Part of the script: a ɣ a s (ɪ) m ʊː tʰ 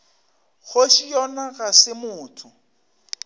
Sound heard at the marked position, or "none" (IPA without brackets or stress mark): ɪ